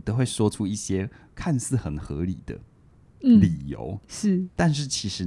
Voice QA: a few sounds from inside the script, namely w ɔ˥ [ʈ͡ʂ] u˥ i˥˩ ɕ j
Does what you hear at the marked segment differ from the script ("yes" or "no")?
yes